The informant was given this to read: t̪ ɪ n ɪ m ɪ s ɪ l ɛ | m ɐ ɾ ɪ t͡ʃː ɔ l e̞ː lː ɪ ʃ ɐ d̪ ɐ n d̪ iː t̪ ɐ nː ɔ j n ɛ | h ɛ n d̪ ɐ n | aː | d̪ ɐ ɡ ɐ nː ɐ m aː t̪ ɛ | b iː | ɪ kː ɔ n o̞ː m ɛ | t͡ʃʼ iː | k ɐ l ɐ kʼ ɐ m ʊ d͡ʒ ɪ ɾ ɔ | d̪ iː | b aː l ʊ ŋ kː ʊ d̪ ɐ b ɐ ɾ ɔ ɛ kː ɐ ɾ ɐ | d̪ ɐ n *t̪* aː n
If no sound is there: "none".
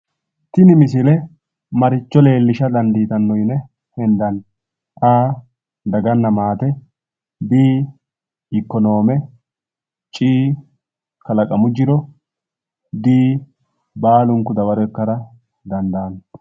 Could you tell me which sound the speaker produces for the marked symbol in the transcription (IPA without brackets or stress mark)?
d̪